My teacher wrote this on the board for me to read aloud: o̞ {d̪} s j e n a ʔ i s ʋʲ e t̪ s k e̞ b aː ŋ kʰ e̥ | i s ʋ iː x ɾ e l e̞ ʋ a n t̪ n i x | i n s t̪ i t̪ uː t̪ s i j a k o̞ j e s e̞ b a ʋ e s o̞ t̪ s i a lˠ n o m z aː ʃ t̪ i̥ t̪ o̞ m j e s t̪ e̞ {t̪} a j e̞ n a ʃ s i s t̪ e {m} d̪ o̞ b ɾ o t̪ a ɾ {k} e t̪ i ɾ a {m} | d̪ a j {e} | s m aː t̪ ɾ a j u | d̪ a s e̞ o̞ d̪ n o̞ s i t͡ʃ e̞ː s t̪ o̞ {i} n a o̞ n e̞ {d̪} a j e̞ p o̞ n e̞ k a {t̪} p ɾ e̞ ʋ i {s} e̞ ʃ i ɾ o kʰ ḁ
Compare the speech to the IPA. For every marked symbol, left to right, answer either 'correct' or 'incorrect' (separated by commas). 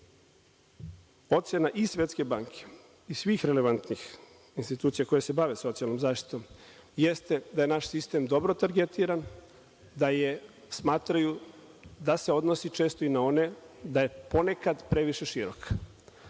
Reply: incorrect, incorrect, correct, incorrect, incorrect, correct, correct, correct, incorrect, incorrect